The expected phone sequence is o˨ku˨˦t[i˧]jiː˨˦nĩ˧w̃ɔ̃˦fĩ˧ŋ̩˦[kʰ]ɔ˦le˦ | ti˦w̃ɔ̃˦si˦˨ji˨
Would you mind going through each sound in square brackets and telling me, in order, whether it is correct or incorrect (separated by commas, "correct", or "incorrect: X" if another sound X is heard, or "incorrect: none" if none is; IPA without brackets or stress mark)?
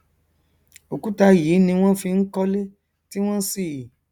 incorrect: a˧, incorrect: k